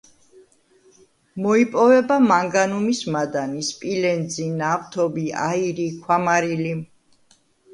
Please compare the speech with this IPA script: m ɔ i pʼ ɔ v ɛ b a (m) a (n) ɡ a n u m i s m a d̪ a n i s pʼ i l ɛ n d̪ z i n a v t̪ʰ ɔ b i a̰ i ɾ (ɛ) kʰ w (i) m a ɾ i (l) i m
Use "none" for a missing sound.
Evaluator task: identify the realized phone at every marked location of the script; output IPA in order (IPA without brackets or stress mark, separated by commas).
m, ŋ, i, a, l